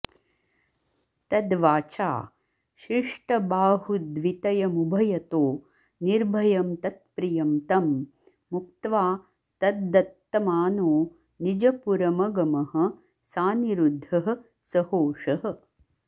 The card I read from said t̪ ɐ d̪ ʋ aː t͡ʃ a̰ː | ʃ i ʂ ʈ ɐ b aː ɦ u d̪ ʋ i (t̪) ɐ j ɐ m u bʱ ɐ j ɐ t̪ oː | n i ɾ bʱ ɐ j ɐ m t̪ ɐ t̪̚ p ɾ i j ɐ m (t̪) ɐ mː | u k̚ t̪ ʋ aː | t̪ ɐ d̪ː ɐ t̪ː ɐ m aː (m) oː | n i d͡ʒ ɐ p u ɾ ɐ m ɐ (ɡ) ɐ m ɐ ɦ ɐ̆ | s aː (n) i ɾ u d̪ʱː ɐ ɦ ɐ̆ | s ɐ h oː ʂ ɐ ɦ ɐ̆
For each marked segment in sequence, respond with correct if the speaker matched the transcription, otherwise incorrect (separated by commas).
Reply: correct, correct, incorrect, correct, correct